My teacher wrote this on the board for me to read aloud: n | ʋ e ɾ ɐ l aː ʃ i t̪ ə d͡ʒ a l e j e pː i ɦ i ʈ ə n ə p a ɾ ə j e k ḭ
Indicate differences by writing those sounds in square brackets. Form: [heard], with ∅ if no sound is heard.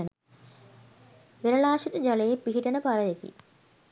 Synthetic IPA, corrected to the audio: n | ʋ e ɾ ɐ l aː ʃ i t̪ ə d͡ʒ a l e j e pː i ɦ i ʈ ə n ə p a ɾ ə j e k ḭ